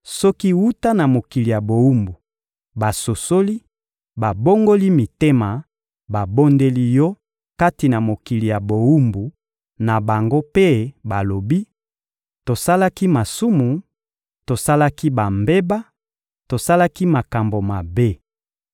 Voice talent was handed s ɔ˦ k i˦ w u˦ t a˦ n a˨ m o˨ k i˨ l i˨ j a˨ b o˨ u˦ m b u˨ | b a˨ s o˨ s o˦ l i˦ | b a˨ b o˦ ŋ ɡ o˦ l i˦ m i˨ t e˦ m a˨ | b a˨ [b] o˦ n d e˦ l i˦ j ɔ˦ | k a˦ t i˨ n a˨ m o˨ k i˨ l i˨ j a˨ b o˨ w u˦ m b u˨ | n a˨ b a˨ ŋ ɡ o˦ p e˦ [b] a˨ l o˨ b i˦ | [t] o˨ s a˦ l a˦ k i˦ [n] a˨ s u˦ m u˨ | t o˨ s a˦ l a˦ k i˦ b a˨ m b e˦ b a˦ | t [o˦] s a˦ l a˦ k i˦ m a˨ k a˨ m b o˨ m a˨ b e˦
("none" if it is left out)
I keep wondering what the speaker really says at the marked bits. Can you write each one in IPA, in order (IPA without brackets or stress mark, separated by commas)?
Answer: b, b, t, m, o˨